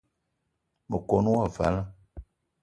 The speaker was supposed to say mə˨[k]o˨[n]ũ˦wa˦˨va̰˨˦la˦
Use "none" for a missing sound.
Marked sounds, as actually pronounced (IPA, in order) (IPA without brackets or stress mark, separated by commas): k, n